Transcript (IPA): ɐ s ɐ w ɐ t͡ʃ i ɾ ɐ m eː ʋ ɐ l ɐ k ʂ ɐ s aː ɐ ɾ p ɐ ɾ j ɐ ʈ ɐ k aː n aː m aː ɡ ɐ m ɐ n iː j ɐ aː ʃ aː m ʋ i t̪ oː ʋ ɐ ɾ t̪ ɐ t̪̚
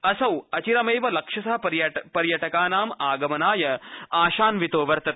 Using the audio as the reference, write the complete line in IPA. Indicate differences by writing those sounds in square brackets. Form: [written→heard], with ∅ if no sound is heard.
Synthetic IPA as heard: ɐ s ɐ w ɐ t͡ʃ i ɾ ɐ m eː ʋ ɐ l ɐ k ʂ ɐ s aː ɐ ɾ p ɐ ɾ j ɐ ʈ ɐ k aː n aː m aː ɡ ɐ m ɐ n [iː→aː] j ɐ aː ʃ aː [m→n] ʋ i t̪ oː ʋ ɐ ɾ t̪ ɐ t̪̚